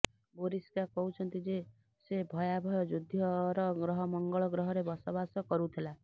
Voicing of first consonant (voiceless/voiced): voiced